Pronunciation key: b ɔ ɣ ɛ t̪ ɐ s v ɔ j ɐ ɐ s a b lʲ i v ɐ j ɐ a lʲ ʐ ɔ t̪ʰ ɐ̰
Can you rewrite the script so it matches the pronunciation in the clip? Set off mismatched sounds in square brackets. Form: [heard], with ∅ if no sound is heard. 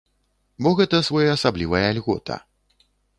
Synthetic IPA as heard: b ɔ ɣ ɛ t̪ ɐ s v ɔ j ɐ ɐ s a b lʲ i v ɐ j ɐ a lʲ [ɣ] ɔ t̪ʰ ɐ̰